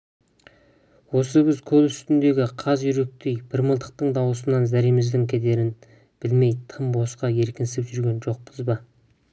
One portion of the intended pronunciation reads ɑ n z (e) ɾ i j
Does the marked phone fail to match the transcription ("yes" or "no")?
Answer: yes